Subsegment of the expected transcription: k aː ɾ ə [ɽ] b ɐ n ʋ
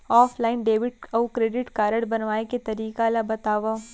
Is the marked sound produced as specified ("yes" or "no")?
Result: yes